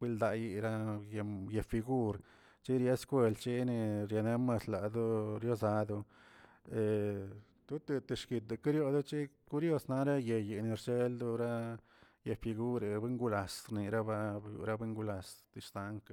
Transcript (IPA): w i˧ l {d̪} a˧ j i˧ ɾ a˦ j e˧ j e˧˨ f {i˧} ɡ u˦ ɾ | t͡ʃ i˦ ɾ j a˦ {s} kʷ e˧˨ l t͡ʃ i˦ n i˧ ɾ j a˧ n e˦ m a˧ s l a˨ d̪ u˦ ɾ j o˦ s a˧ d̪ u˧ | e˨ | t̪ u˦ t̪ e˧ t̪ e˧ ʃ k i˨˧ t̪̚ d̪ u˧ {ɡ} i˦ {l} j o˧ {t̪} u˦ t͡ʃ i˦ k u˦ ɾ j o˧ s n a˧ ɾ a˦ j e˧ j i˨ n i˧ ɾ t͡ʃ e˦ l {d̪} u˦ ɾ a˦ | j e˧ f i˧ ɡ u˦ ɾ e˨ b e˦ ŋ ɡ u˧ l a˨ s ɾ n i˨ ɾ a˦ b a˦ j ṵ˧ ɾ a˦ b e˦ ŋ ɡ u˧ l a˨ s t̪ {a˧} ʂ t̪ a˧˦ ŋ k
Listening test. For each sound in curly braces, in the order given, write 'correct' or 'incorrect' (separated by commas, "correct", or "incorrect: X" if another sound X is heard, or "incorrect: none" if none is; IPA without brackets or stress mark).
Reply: correct, correct, correct, incorrect: k, incorrect: ɾ, incorrect: d̪, correct, incorrect: i˧